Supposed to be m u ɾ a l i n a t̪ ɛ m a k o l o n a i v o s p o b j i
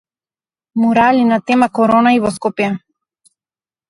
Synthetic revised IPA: m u ɾ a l i n a t̪ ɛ m a k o ɾ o n a i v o s k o p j a